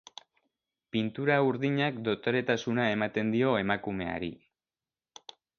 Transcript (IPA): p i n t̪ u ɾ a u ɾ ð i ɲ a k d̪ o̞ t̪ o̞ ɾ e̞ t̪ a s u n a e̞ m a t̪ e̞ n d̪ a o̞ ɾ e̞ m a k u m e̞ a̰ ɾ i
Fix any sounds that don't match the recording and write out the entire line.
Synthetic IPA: p i n t̪ u ɾ a u ɾ ð i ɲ a k d̪ o̞ t̪ o̞ ɾ e̞ t̪ a s u n a e̞ m a t̪ e̞ n d̪ i o̞ e̞ m a k u m e̞ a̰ ɾ i